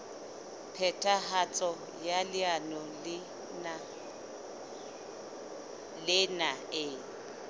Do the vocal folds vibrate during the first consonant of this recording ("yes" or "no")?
no